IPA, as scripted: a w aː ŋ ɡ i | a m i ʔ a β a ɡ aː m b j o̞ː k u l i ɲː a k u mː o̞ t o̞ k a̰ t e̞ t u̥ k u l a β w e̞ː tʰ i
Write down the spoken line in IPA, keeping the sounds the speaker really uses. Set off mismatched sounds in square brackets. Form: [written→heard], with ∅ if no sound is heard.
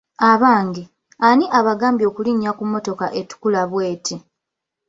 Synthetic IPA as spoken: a [w→β] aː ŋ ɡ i | a [m→n] i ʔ a β a ɡ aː m b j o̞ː k u l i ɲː a k u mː o̞ t o̞ k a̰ [t→ʔ] e̞ t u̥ k u l a β w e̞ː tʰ i